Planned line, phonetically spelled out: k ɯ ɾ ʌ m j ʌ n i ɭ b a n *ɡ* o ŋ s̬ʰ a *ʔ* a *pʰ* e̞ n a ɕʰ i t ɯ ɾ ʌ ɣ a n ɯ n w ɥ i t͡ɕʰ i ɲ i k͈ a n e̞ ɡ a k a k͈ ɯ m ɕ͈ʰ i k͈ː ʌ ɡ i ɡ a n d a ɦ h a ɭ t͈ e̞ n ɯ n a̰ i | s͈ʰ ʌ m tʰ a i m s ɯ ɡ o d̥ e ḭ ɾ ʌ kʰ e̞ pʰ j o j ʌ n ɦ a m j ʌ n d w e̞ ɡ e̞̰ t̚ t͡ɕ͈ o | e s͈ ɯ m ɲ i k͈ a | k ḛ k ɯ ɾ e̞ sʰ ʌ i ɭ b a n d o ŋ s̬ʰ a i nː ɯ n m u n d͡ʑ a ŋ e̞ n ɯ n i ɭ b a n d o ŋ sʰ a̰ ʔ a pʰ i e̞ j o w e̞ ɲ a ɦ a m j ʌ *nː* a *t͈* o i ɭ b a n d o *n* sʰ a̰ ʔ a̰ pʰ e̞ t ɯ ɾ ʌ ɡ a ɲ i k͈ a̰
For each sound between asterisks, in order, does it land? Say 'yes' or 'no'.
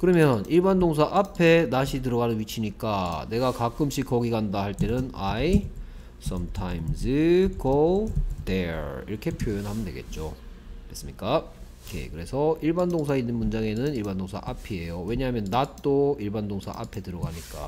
no, yes, yes, yes, yes, no

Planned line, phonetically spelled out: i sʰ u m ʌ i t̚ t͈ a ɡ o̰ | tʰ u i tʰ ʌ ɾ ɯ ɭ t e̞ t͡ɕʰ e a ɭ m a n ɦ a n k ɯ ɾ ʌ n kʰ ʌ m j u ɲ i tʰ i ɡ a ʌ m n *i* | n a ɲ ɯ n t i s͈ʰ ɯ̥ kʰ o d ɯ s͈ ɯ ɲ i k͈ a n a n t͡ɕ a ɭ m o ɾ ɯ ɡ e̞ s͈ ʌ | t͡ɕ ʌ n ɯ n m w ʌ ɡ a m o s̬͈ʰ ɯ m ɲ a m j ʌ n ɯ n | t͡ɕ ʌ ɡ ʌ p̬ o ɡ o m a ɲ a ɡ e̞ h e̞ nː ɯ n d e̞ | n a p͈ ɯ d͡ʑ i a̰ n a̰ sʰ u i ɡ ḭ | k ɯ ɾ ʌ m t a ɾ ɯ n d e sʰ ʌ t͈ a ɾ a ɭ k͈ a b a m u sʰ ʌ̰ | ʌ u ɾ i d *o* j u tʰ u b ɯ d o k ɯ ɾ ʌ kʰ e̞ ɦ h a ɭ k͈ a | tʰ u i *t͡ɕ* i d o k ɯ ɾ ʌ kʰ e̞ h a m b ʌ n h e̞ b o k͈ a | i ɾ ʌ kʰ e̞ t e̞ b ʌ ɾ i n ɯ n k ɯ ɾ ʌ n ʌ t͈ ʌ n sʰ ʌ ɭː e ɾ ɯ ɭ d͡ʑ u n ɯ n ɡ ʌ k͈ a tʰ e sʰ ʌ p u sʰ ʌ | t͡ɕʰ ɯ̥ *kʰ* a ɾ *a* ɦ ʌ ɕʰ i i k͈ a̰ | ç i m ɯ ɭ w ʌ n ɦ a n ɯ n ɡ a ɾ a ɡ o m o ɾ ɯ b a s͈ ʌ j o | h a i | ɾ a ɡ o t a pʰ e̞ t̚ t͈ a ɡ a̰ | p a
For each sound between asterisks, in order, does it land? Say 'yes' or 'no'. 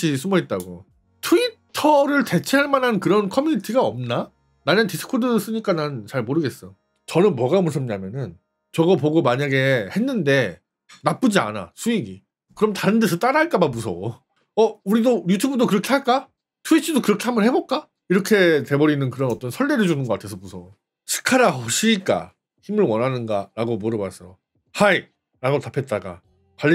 no, yes, no, yes, yes

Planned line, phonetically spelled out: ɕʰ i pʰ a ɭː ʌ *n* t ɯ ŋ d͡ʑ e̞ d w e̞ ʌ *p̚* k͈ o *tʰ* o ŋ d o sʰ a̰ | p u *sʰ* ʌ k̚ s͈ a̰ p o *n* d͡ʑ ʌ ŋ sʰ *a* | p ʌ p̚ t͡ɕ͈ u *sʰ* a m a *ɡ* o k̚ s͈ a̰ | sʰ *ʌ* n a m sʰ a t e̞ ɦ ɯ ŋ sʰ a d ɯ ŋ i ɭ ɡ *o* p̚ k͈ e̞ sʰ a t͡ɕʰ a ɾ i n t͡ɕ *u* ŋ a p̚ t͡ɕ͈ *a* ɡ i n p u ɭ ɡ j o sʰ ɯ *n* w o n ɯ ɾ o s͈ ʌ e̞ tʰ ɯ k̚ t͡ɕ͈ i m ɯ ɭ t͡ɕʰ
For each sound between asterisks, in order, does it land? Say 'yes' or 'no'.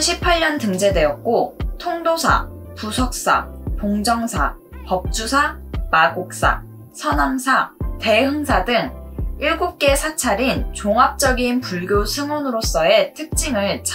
yes, no, yes, yes, no, yes, yes, yes, yes, no, no, no, no

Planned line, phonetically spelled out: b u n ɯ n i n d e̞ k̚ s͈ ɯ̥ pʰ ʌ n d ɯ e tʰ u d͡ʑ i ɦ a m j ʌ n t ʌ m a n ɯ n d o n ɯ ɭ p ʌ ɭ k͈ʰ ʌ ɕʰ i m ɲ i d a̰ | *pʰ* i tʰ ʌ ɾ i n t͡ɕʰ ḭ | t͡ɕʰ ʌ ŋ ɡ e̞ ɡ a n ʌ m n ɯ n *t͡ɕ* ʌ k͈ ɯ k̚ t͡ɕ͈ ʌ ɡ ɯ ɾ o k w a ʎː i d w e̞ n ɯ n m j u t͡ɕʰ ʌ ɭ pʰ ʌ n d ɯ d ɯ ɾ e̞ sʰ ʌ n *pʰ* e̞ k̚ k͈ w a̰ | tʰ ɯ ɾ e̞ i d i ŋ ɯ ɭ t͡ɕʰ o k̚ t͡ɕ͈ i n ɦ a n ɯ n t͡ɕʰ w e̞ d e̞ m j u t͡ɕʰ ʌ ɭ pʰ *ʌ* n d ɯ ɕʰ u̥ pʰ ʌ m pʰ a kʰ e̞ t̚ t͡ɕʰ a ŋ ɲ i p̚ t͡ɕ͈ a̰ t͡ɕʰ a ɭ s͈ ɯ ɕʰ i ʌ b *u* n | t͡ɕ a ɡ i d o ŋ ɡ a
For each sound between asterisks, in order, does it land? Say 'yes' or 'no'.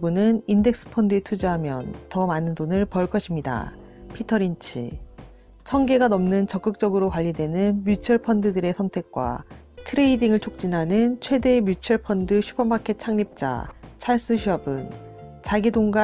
yes, yes, no, yes, no

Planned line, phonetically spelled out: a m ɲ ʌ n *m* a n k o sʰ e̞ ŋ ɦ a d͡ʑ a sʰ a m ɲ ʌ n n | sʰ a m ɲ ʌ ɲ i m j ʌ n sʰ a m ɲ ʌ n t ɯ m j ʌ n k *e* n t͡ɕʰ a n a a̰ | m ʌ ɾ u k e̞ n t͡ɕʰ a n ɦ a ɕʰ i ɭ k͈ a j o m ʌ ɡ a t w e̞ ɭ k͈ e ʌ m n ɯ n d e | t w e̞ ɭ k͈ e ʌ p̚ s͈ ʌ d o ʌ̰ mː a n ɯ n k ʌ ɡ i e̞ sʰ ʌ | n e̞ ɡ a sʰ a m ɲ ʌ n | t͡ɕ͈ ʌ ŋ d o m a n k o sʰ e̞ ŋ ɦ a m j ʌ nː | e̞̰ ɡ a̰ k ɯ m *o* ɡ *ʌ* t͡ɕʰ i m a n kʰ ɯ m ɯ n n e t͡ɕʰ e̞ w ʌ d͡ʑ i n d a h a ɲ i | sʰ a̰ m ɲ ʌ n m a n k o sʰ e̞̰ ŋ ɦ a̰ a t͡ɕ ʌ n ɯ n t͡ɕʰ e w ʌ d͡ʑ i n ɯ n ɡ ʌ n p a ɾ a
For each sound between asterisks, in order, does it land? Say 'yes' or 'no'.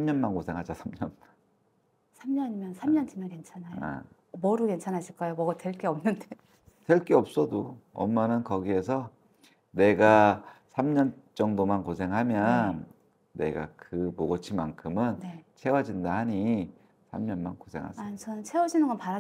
yes, yes, yes, yes

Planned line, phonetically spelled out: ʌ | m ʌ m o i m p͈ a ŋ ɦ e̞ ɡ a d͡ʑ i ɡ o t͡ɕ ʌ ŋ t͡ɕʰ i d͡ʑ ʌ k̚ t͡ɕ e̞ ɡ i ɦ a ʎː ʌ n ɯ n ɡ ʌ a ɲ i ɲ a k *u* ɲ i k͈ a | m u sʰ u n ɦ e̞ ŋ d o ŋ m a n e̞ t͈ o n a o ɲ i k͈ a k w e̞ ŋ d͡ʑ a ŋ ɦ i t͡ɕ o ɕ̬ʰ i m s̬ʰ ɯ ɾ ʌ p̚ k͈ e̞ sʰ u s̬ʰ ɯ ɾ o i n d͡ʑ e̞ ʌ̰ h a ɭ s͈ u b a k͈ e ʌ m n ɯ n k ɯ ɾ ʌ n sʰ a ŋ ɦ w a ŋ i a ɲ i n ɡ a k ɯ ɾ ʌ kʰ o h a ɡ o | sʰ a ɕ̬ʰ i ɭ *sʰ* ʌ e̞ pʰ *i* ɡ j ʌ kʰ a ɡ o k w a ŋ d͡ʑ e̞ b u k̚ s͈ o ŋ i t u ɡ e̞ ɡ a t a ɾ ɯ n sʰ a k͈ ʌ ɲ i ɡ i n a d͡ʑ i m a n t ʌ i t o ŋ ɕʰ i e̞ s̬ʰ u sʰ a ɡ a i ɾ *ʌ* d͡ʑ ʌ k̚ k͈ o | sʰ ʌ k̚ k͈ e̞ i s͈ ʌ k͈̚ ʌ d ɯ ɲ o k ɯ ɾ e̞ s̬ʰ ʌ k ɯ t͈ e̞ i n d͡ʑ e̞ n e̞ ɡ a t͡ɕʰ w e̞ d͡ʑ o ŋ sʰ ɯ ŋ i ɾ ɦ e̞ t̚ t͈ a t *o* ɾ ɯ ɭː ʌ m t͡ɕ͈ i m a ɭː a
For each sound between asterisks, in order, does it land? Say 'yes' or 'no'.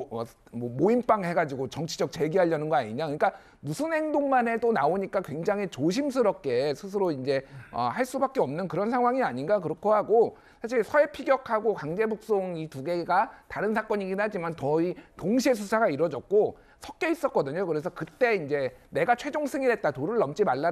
no, yes, yes, yes, yes

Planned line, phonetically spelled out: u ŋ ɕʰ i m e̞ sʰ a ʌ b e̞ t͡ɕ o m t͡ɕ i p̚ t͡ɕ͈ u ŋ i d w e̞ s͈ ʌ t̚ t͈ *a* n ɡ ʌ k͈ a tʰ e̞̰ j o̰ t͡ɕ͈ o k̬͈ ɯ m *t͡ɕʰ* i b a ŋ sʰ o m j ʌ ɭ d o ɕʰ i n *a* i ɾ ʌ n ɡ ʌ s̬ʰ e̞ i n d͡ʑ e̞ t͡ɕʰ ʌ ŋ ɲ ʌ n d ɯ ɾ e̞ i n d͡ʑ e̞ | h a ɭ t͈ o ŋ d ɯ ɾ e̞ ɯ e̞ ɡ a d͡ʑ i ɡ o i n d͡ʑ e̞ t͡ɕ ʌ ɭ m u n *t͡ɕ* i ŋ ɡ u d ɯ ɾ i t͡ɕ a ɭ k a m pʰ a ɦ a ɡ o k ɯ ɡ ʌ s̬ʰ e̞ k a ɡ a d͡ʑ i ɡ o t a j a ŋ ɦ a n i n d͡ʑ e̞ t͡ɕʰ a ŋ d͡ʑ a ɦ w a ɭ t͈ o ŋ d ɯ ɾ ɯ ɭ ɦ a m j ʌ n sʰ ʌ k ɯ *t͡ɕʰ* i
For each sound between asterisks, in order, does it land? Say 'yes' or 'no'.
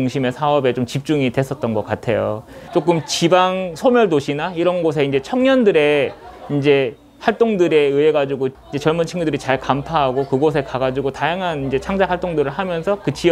no, no, yes, no, no

